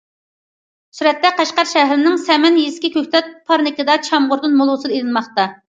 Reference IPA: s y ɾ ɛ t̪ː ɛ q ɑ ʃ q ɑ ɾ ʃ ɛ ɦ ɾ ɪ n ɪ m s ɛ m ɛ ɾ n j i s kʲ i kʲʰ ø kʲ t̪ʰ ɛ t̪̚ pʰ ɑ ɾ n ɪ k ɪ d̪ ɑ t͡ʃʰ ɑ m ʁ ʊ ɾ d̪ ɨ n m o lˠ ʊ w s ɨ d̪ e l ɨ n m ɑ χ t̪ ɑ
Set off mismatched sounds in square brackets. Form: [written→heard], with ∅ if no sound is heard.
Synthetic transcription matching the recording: s y ɾ ɛ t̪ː ɛ q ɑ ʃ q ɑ ɾ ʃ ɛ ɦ ɾ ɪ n ɪ [m→ŋ] s ɛ m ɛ [ɾ→∅] n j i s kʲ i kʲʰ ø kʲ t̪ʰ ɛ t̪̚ pʰ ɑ ɾ n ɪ k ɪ d̪ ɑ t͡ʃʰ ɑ m ʁ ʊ ɾ d̪ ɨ n m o lˠ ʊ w s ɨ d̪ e l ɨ n m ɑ χ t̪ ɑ